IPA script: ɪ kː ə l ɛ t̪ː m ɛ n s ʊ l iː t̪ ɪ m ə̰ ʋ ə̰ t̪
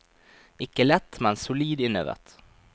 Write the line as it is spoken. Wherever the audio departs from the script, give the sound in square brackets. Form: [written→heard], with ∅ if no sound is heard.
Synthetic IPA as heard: ɪ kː ə l ɛ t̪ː m ɛ n s ʊ l iː [t̪→d̪] ɪ [m→n] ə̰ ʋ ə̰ t̪